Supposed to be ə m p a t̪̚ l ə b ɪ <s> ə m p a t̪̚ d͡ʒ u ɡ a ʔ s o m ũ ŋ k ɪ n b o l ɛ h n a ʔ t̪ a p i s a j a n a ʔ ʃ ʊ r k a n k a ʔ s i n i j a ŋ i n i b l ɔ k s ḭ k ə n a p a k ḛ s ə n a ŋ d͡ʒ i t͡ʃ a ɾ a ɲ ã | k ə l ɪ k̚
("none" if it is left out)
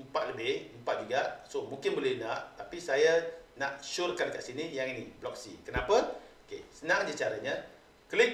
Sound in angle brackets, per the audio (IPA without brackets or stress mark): h